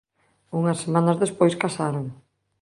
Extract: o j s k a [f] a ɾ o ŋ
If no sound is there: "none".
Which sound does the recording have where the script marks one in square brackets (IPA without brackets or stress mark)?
s